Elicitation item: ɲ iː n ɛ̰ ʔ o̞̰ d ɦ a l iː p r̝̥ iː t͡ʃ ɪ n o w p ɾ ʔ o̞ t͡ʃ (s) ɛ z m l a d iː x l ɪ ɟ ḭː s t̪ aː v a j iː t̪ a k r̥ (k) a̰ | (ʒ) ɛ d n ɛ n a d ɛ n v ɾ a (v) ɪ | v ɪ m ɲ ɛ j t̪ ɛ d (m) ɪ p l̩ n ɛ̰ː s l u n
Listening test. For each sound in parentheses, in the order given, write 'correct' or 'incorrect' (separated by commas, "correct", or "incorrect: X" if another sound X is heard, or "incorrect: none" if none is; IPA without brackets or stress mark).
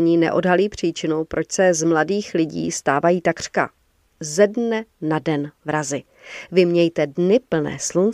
correct, correct, incorrect: z, incorrect: z, incorrect: n